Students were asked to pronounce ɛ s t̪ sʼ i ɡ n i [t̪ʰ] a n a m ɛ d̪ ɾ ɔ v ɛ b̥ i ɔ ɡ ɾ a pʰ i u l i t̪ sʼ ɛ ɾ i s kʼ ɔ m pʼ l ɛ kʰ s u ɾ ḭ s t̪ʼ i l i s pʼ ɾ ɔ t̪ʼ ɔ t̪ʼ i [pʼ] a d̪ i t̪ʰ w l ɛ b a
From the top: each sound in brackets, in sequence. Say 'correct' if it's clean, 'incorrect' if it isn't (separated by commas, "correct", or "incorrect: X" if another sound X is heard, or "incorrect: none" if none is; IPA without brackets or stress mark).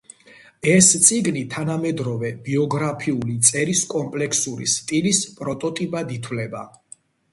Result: correct, correct